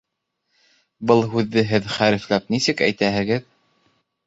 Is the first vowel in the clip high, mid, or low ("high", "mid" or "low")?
mid